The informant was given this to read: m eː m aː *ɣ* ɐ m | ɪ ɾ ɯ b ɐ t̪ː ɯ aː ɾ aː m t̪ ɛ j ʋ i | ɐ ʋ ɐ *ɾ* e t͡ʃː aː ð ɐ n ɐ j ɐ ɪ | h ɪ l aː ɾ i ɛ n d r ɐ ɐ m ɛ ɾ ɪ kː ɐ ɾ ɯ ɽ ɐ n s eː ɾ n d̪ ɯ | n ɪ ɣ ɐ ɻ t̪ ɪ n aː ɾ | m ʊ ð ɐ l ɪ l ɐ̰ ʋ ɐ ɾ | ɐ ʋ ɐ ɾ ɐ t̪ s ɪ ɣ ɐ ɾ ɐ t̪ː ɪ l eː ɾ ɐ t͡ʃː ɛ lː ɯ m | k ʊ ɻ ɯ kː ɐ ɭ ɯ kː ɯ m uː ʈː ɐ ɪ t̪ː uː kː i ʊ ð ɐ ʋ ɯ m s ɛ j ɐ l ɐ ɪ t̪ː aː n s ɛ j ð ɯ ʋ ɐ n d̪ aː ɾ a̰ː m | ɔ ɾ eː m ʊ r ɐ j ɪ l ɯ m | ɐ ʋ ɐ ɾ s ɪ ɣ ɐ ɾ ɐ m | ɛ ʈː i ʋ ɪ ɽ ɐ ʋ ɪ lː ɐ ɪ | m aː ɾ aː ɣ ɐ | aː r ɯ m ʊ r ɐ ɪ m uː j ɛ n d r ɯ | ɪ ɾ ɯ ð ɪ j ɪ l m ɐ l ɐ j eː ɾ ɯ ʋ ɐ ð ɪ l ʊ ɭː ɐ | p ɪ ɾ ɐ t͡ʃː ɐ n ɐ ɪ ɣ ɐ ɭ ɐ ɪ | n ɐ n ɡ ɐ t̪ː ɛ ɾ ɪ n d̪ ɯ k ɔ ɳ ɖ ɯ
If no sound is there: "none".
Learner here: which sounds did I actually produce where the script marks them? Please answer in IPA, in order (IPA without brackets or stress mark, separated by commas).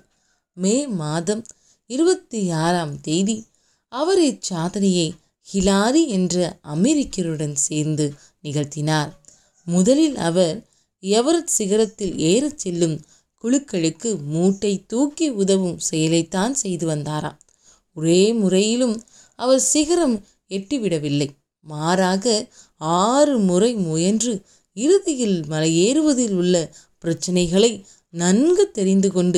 ð, ɾ